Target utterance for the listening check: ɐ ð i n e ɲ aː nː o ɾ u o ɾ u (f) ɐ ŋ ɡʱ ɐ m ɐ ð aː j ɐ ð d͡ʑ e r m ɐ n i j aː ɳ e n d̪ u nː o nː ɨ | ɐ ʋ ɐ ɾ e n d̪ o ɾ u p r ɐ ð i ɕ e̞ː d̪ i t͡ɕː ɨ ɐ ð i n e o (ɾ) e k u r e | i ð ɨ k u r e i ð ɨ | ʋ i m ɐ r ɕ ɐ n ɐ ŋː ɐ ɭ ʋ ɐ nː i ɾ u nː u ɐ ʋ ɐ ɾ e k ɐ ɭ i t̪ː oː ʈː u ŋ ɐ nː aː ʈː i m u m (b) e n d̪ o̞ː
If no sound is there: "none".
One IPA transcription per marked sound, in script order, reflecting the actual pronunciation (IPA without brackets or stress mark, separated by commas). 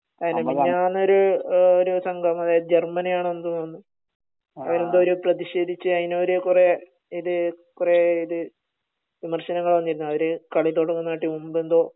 s, ɾ, b